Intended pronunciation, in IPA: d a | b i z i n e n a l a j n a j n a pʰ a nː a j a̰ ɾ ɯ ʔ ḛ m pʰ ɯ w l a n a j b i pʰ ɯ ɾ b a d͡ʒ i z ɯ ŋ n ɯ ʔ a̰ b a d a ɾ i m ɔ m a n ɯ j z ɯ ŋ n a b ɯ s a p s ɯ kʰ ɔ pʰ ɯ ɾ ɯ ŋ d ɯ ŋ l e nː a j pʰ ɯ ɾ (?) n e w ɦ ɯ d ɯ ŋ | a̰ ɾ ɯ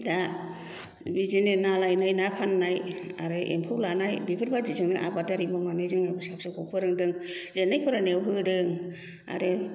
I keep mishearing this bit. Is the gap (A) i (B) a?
B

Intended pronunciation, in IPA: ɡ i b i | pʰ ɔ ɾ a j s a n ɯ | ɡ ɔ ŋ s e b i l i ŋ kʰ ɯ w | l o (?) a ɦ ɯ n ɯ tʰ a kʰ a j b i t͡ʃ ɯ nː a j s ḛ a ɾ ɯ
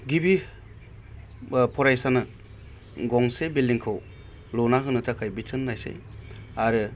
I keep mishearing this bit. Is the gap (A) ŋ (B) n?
B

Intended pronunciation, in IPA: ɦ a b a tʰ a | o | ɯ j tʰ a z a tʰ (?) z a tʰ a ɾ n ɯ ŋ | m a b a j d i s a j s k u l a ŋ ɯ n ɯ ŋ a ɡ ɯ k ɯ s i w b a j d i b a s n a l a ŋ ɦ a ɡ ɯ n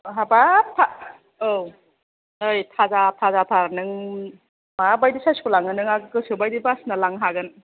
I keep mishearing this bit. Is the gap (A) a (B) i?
A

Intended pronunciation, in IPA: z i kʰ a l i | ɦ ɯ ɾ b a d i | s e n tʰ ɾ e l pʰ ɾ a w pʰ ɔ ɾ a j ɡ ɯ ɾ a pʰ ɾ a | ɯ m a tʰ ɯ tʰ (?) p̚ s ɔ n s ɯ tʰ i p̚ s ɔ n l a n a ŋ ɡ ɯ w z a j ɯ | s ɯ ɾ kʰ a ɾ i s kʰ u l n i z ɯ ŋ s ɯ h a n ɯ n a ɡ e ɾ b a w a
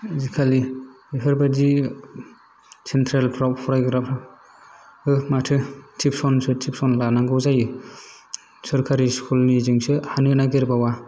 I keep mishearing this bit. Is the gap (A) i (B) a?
A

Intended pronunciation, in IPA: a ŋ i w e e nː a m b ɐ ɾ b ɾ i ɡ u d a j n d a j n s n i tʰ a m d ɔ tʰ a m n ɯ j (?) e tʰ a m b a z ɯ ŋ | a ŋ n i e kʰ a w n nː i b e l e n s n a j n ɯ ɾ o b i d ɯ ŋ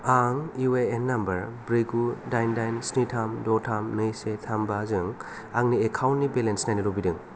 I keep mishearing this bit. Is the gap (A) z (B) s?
B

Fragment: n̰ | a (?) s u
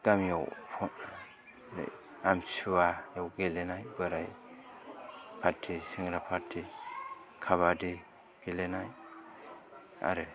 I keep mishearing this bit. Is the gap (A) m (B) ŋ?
A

